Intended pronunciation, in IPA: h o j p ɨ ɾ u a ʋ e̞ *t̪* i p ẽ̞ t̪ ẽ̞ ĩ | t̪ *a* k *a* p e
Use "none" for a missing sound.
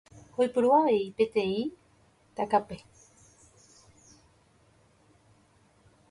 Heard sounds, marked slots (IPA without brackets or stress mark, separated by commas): none, a, a